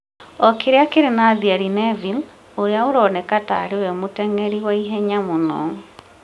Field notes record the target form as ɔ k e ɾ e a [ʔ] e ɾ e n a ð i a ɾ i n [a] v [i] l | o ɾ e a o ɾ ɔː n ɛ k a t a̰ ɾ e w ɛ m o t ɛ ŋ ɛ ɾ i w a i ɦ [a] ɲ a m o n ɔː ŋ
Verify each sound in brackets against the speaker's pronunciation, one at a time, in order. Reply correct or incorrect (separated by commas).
incorrect, incorrect, correct, incorrect